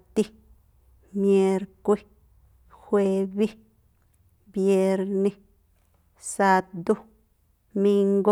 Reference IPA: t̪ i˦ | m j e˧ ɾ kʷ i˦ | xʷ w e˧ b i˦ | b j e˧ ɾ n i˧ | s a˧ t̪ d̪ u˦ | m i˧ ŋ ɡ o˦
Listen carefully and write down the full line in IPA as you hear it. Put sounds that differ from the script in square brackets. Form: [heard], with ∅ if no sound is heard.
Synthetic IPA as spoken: t̪ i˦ | m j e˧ ɾ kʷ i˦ | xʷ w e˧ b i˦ | b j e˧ ɾ n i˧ | s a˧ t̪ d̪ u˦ | m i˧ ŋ ɡ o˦